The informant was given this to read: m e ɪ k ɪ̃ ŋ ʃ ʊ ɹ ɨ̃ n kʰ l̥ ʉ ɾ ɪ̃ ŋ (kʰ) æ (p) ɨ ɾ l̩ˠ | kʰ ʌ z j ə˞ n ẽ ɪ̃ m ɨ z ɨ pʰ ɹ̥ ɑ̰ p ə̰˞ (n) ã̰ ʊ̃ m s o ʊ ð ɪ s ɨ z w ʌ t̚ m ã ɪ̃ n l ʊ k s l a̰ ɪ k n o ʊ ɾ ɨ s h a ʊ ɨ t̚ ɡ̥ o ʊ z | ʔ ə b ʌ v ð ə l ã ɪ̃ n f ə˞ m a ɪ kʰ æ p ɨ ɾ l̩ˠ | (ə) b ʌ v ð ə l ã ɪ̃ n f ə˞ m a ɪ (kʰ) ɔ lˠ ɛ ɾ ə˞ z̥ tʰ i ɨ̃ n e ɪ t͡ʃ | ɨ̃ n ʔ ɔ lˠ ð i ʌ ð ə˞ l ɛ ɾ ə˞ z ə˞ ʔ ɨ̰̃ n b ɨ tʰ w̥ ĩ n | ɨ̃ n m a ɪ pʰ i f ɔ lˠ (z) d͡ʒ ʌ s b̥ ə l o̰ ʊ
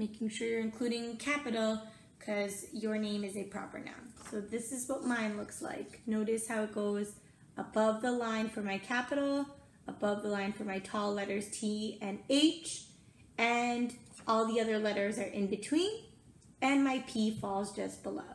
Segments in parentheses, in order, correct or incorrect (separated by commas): correct, correct, correct, correct, incorrect, correct